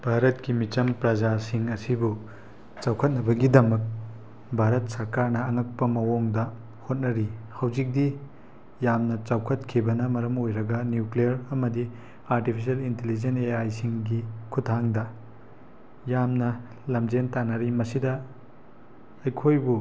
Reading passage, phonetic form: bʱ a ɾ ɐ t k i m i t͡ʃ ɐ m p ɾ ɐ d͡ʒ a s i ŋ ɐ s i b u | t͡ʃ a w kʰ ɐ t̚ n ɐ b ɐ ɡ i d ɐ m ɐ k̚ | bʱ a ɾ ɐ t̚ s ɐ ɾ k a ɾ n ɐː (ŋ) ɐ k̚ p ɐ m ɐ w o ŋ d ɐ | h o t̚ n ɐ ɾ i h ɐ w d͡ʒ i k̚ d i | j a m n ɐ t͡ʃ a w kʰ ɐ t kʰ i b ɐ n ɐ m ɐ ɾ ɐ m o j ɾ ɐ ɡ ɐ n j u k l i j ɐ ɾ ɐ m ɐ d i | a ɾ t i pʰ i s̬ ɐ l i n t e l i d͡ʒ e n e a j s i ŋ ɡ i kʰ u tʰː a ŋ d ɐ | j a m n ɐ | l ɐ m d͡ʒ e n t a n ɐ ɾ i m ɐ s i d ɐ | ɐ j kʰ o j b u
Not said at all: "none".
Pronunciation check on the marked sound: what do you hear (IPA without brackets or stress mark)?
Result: ŋ